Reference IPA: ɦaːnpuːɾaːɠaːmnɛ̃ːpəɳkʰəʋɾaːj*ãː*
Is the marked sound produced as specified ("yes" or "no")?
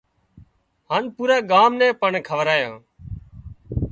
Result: yes